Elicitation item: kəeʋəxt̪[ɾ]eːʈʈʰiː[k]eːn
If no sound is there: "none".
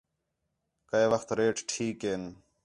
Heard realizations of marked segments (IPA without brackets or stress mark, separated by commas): ɾ, k